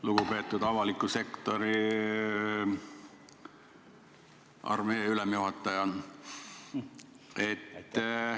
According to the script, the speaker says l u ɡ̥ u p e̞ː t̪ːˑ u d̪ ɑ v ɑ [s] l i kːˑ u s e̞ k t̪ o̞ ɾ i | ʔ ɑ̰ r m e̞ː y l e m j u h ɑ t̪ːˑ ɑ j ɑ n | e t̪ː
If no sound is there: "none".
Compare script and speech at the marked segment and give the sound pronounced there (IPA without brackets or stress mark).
none